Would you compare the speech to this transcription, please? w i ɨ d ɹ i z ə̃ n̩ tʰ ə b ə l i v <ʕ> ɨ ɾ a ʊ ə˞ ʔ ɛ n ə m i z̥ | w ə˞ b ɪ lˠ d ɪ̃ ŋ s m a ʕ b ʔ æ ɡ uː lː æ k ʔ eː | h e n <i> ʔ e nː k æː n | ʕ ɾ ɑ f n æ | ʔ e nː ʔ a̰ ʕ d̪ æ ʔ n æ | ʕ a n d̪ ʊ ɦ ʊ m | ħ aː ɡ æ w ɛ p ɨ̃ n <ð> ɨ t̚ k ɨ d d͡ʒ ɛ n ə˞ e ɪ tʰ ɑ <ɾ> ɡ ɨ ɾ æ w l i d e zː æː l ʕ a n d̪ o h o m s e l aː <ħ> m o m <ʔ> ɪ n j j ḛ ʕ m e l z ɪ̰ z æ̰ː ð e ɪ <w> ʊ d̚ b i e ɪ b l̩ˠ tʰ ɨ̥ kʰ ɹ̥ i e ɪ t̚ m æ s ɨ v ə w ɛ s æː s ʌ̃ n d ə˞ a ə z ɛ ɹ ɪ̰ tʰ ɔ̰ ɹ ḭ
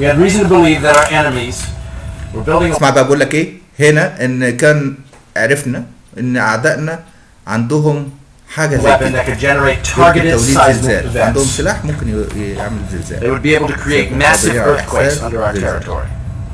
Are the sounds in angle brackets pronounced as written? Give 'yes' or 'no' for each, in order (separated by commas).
no, no, yes, no, yes, no, yes